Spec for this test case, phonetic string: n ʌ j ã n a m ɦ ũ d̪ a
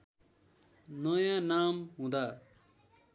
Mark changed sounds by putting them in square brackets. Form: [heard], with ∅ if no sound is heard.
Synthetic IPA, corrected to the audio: n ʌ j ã n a m ɦ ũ d̪ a